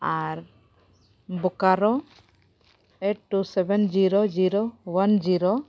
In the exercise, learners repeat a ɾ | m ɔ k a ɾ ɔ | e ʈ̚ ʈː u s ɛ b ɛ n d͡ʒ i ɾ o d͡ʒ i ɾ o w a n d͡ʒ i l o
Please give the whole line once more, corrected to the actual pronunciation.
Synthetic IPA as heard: a ɾ | b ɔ k a ɾ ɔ | e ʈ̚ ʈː u s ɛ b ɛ n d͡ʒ i ɾ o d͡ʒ i ɾ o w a n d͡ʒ i ɾ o